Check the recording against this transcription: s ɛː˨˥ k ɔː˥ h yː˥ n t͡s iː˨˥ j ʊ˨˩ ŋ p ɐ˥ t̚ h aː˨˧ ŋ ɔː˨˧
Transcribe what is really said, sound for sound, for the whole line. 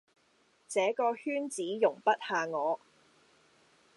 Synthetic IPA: t͡s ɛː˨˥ k ɔː˧ h yː˥ n t͡s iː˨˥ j ʊ˨˩ ŋ p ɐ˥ t̚ h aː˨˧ ŋ ɔː˨˧

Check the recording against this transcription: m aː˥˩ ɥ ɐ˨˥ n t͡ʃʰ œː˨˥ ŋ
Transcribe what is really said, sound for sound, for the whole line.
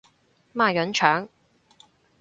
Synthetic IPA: m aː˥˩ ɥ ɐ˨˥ n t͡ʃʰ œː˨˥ ŋ

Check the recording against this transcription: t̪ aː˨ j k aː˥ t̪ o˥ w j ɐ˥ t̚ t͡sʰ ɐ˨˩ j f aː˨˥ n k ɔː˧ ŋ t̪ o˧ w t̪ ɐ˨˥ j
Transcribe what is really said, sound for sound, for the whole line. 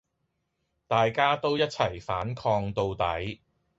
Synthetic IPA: t̪ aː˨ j k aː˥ t̪ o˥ w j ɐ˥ t̚ t͡sʰ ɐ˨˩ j f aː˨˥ n kʰ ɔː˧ ŋ t̪ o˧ w t̪ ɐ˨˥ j

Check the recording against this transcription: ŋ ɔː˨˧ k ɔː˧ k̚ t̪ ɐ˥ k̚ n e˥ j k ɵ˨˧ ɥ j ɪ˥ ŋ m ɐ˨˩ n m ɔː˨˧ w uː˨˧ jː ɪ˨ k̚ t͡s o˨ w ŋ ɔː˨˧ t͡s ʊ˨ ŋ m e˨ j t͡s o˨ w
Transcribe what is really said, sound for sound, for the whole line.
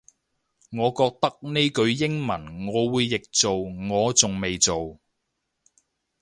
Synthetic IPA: ŋ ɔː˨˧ k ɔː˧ k̚ t̪ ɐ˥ k̚ n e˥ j k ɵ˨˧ ɥ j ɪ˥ ŋ m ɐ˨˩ n ŋ ɔː˨˧ w uː˨˧ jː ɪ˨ k̚ t͡s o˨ w ŋ ɔː˨˧ t͡s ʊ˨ ŋ m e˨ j t͡s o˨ w

